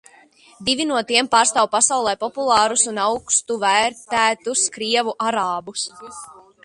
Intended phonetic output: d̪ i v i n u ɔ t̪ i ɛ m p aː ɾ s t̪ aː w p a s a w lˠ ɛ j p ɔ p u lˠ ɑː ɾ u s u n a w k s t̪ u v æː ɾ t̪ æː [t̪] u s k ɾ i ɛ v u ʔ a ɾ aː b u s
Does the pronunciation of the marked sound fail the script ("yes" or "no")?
no